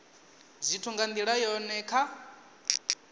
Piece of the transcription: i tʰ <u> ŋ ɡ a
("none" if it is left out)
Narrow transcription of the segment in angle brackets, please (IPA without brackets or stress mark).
u